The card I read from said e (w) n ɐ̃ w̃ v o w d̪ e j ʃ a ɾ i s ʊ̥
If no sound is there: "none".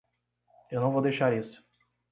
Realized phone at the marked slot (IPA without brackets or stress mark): w